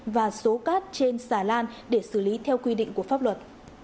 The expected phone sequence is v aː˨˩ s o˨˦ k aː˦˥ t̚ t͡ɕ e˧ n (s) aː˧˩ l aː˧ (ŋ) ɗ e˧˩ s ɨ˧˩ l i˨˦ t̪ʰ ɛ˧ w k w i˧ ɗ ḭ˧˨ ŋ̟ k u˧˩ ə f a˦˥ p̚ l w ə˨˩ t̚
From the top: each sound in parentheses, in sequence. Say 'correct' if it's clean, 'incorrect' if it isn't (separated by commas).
correct, incorrect